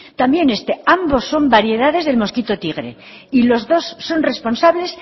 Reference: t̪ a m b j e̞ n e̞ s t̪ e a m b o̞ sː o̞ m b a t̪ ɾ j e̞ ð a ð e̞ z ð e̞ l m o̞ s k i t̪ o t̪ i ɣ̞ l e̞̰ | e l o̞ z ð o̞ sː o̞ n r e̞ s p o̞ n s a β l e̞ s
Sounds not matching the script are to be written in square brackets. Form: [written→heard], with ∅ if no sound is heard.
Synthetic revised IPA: t̪ a m b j e̞ n e̞ s t̪ e a m b o̞ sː o̞ m b a [t̪→∅] ɾ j e̞ ð a ð e̞ z ð e̞ l m o̞ s k i t̪ o t̪ i ɣ̞ [l→ɾ] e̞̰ | [e→i] l o̞ z ð o̞ sː o̞ n r e̞ s p o̞ n s a β l e̞ s